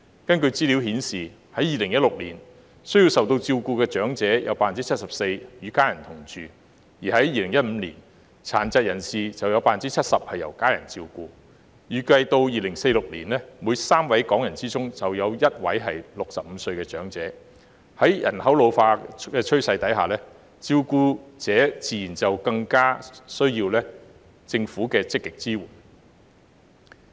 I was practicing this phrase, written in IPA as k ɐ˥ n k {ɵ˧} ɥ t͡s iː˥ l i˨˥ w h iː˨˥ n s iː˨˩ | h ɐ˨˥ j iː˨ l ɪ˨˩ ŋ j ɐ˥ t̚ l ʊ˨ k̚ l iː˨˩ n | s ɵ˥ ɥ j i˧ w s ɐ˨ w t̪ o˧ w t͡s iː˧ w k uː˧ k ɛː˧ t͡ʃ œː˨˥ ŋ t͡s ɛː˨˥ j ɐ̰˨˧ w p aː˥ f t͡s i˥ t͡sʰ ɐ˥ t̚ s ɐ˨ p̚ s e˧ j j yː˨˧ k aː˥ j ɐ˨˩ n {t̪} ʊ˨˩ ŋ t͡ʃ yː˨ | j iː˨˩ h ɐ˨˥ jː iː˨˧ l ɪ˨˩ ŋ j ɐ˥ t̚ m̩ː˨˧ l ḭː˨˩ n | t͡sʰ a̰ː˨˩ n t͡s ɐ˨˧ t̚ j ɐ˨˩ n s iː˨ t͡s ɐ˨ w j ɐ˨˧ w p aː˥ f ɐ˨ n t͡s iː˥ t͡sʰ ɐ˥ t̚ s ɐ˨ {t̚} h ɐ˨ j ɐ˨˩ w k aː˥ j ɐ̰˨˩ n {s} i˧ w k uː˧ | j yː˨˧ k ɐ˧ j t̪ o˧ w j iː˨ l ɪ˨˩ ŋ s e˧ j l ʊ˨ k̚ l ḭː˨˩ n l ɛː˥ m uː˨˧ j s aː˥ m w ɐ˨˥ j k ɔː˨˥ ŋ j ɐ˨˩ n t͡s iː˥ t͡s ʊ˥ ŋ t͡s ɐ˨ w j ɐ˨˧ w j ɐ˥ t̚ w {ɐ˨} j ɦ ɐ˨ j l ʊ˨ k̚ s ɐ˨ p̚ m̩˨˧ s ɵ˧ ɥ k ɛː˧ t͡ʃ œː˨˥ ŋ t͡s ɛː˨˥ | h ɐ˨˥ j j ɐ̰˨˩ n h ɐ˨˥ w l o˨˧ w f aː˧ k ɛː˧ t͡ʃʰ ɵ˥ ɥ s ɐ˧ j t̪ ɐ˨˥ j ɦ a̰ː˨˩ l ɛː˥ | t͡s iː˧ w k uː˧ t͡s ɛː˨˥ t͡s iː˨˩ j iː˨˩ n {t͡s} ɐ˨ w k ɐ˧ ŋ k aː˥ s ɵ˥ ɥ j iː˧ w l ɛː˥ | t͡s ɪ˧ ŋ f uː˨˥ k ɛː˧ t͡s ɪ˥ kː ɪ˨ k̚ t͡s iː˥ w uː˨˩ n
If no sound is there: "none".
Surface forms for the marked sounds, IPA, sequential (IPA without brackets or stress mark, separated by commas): ɵ˧, t̪ʰ, p̚, t͡s, ɐ˨˥, t͡s